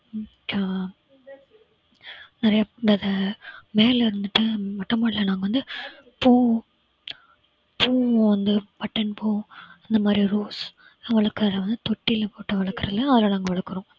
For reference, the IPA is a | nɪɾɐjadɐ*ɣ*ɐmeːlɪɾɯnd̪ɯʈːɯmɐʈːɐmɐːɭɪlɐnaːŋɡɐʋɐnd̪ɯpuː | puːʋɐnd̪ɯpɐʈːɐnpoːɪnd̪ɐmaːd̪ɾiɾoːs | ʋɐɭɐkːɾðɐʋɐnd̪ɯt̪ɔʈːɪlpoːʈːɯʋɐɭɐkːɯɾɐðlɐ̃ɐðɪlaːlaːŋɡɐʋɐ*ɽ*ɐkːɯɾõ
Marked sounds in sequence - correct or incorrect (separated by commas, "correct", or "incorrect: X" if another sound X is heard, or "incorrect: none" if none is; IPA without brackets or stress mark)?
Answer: incorrect: ð, incorrect: ɭ